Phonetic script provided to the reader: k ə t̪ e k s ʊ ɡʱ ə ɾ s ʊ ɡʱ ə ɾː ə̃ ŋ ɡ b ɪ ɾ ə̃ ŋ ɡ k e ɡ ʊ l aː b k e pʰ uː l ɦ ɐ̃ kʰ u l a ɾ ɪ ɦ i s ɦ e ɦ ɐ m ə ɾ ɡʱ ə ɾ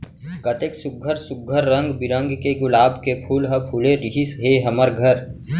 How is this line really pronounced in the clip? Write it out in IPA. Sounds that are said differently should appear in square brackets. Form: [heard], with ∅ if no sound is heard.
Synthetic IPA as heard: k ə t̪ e k s ʊ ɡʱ ə ɾ s ʊ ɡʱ ə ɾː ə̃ ŋ ɡ b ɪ ɾ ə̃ ŋ ɡ k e ɡ ʊ l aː b k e pʰ uː l ɦ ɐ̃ [pʰ] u l [e] ɾ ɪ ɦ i s ɦ e ɦ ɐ m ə ɾ ɡʱ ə ɾ